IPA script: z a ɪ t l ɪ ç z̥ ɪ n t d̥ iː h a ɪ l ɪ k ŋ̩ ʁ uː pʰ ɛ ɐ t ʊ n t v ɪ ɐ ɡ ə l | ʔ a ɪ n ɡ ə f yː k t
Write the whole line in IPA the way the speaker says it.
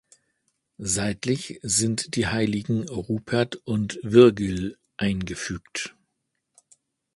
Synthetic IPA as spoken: z a ɪ t l ɪ ç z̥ ɪ n t d̥ iː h a ɪ l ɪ ɡ ŋ̩ ʁ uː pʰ ɛ ɐ t ʊ n t v ɪ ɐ ɡ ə l | ʔ a ɪ n ɡ ə f yː k t